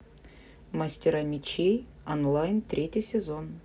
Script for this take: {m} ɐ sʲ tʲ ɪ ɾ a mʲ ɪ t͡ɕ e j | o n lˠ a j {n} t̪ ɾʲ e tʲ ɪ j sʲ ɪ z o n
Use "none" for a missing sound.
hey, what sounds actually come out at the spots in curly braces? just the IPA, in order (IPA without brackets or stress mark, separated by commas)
m, n